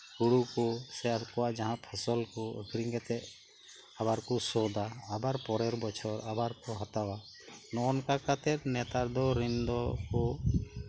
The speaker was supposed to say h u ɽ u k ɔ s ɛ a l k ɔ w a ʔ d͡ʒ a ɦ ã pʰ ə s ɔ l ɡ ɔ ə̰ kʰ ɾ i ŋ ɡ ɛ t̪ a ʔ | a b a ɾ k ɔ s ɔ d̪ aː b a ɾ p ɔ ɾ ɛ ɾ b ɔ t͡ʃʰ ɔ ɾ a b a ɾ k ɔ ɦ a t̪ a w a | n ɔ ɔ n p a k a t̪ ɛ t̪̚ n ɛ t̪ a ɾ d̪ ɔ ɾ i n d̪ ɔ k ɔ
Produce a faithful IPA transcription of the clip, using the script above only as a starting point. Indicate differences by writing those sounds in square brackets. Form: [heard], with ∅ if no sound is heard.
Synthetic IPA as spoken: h u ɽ u k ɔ s ɛ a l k ɔ w a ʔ d͡ʒ a ɦ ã pʰ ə s ɔ l [k] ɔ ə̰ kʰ ɾ i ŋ ɡ ɛ t̪ [ɛ] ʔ | a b a ɾ k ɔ s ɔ d̪ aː b a ɾ p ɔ ɾ ɛ ɾ b ɔ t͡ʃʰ ɔ ɾ a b a ɾ k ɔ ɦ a t̪ a w a | n ɔ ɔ n [k] a k a t̪ ɛ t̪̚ n ɛ t̪ a ɾ d̪ ɔ ɾ i n d̪ ɔ k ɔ

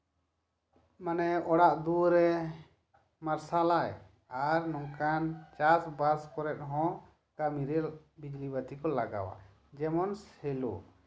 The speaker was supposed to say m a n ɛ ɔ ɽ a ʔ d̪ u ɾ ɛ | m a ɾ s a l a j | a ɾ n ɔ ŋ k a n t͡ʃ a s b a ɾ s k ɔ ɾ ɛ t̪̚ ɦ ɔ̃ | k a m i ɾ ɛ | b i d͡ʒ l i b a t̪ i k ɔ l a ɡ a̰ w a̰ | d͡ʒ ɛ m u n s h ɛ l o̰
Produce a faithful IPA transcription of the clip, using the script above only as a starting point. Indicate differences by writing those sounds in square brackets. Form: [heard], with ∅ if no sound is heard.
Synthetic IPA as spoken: m a n ɛ ɔ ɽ a ʔ d̪ u ɾ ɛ | m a ɾ s a l a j | a ɾ n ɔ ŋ k a n t͡ʃ a s b a ɾ s k ɔ ɾ ɛ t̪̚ ɦ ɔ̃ | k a m i ɾ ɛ | b i d͡ʒ l i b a t̪ i k ɔ l a ɡ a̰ w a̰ | d͡ʒ ɛ m [ɔ] n s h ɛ l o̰

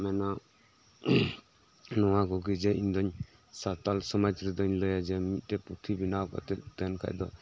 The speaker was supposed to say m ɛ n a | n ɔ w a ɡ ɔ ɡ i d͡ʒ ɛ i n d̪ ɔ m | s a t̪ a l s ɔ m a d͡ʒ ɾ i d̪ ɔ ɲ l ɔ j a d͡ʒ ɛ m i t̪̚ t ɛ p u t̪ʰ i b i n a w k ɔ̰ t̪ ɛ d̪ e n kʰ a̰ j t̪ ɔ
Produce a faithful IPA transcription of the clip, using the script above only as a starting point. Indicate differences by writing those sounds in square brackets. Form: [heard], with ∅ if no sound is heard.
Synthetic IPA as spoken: m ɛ n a | n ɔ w a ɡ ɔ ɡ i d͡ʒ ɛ i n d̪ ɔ [ɲ] | s a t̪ a l s ɔ m a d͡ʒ ɾ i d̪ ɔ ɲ l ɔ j a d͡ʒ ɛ m i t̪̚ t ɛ p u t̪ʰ i b i n a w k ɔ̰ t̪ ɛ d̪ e n kʰ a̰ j [d̪] ɔ

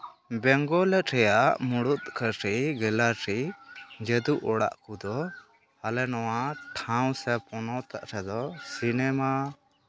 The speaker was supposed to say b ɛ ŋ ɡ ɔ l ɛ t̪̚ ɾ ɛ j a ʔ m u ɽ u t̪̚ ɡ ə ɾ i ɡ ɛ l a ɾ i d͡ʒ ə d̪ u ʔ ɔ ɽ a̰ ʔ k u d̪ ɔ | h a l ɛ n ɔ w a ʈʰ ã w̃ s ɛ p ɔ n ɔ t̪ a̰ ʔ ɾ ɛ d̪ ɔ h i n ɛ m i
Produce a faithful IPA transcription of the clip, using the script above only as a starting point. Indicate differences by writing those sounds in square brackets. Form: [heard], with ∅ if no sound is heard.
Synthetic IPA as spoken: b ɛ ŋ ɡ ɔ l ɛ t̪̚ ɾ ɛ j a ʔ m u ɽ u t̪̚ [k] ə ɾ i ɡ ɛ l a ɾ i d͡ʒ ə d̪ u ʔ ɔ ɽ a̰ ʔ k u d̪ ɔ | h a l ɛ n ɔ w a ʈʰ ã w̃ s ɛ p ɔ n ɔ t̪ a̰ ʔ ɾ ɛ d̪ ɔ [s] i n ɛ m [a]

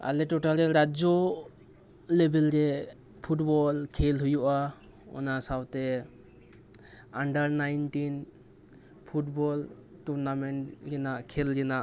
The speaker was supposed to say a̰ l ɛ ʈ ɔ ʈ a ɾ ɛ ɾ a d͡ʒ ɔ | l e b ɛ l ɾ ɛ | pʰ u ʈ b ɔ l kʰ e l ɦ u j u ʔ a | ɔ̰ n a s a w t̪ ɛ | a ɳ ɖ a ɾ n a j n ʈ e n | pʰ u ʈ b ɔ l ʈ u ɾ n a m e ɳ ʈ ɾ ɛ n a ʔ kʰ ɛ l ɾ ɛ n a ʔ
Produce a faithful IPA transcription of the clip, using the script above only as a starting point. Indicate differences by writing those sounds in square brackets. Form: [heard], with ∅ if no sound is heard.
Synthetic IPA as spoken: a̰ l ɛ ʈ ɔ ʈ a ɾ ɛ ɾ a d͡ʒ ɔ | l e b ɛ l ɾ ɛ | pʰ u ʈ b ɔ l kʰ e l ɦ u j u ʔ a | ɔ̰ n a s a w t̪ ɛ | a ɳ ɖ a ɾ n a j n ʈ [i] n | pʰ u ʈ b ɔ l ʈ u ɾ n a m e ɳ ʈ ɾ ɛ n a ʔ kʰ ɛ l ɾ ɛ n a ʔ

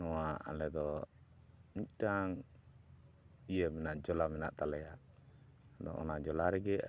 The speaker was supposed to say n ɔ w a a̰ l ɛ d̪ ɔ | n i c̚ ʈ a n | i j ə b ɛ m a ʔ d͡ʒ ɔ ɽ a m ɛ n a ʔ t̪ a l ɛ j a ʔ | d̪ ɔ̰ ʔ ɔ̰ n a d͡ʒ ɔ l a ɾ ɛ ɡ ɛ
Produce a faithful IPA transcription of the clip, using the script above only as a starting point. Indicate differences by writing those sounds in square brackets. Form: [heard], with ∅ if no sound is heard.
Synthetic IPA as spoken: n ɔ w a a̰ l ɛ d̪ ɔ | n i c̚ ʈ a [ŋ] | i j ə [m] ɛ [n] a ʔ d͡ʒ ɔ [l] a m ɛ n a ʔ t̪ a l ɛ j a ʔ | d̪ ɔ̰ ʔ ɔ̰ n a d͡ʒ ɔ l a ɾ ɛ ɡ ɛ

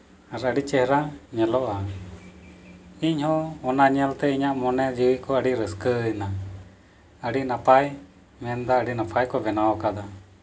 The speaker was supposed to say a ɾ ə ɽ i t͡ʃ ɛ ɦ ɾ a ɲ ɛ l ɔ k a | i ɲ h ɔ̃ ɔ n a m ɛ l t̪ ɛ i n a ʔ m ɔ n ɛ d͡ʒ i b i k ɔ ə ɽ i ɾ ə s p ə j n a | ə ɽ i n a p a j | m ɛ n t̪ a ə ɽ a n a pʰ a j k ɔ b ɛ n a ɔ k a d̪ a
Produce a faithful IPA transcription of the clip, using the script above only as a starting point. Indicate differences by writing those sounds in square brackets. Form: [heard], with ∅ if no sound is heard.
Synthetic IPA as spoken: a ɾ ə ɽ i t͡ʃ ɛ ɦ ɾ a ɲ ɛ l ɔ [ʔ] a | i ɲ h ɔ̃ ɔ n a [ɲ] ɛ l t̪ ɛ i [ɲ] a ʔ m ɔ n ɛ d͡ʒ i [w] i k ɔ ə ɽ i ɾ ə s [k] ə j n a | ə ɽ i n a p a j | m ɛ n [d̪] a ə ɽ [i] n a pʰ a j k ɔ b ɛ n a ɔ k a d̪ a

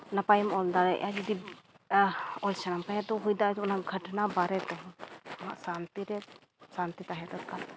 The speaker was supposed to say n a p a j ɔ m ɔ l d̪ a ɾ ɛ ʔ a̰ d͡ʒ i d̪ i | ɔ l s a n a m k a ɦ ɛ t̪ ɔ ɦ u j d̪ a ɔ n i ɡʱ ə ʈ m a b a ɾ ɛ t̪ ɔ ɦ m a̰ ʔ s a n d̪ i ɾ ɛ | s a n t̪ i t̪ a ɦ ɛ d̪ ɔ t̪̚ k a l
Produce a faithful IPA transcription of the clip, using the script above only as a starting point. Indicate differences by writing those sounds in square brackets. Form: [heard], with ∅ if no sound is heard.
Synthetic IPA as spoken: n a p a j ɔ m ɔ l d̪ a ɾ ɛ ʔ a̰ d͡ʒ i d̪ i | ɔ l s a n a m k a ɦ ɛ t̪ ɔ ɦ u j d̪ a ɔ n [a] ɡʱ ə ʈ [n] a b a ɾ ɛ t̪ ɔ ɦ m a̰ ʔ s a n [t̪] i ɾ ɛ | s a n t̪ i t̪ a ɦ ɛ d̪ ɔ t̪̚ k a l

